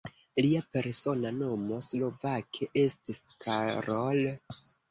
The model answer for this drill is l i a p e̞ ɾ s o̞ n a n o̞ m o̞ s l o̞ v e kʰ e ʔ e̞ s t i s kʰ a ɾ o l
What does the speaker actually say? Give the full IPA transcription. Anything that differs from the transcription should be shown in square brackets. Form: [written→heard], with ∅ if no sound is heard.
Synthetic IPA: l i a p e̞ ɾ s o̞ n a n o̞ m o̞ s l o̞ v [e→a] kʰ e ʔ e̞ s t i s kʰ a ɾ o l